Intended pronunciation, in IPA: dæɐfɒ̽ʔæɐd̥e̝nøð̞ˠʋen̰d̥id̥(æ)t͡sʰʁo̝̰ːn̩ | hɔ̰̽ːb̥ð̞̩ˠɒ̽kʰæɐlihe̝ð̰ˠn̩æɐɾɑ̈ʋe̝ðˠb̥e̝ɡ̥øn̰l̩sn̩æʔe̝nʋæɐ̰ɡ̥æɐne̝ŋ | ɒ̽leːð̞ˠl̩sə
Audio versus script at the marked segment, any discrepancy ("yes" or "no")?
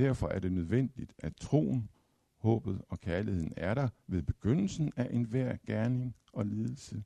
no